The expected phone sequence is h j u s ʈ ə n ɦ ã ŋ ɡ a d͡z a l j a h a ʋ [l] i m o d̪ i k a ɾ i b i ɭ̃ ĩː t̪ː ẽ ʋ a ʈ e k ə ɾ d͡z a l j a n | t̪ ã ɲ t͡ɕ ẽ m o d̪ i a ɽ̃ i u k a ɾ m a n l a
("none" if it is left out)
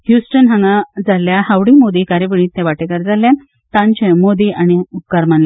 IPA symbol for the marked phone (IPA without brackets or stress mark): ɽ